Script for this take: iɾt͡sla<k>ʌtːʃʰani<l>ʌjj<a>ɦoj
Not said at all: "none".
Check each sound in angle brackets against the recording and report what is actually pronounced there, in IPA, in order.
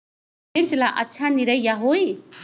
ʔ, ɾ, a

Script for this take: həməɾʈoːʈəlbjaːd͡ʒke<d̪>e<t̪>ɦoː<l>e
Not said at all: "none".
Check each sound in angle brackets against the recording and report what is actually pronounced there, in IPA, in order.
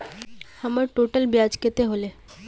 t̪, none, l

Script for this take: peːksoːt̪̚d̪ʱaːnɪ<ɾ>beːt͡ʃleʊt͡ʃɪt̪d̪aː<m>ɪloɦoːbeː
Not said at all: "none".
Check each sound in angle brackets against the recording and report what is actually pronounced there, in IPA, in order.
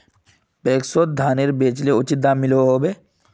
ɾ, m

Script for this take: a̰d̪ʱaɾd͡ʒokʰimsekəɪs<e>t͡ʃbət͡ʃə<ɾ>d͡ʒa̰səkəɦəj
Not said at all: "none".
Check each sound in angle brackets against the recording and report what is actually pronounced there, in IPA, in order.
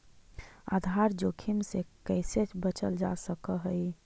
e, l

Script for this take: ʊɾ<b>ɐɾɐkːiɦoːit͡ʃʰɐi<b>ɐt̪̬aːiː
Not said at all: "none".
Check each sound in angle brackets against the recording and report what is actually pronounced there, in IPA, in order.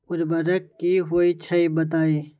b, b

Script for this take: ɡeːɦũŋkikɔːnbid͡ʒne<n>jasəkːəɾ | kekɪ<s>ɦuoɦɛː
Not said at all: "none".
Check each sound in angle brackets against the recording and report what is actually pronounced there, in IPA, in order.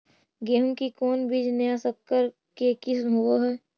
none, s

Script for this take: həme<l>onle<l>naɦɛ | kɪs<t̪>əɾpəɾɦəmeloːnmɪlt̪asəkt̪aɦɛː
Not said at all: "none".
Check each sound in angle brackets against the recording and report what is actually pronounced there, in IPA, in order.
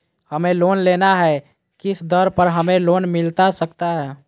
l, none, d̪

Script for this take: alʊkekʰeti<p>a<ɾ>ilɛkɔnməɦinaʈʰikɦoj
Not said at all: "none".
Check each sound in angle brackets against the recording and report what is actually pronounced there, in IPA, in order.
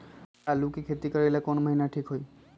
k, ɹ

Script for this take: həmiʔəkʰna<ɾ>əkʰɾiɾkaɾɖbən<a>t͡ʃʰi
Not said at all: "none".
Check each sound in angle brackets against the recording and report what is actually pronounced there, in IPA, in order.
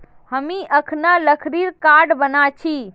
l, a

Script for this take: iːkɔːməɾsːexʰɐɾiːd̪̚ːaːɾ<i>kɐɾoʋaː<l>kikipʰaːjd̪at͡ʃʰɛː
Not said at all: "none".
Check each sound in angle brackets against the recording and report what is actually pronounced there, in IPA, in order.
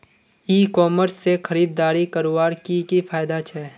i, ɾ

